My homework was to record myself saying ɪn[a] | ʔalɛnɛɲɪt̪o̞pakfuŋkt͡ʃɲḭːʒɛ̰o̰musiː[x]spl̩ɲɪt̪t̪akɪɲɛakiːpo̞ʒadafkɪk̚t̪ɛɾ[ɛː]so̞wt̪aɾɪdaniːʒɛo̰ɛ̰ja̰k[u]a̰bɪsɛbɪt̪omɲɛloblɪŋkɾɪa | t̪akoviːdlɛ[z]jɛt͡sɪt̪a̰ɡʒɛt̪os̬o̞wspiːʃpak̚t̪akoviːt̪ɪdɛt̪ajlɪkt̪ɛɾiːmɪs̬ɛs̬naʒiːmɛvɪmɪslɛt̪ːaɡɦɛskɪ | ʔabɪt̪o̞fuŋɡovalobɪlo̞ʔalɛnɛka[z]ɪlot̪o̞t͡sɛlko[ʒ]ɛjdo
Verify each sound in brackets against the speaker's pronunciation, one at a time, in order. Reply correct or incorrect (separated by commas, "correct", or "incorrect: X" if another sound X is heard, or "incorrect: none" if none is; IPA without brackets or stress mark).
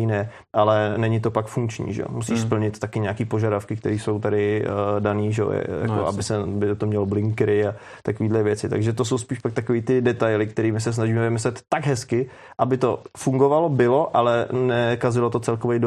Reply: incorrect: ɛ, incorrect: ʃ, incorrect: iː, incorrect: o, incorrect: v, correct, incorrect: v